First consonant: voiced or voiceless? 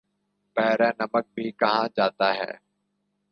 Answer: voiceless